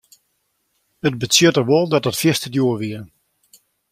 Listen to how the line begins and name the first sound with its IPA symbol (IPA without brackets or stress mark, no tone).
ə